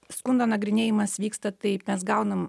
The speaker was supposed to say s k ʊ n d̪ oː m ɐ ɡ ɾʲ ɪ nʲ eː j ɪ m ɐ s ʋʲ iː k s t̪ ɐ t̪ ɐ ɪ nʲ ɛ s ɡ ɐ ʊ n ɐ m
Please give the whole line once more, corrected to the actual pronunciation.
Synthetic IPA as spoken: s k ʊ n d̪ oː n ɐ ɡ ɾʲ ɪ nʲ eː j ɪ m ɐ s ʋʲ iː k s t̪ ɐ t̪ ɐ ɪ mʲ ɛ s ɡ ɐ ʊ n ɐ m